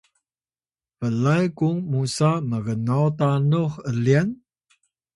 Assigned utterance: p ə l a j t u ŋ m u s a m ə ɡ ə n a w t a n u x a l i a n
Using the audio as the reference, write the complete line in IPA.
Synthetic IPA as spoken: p ə l a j k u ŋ m u s a m ə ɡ ə n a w t a n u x ə l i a n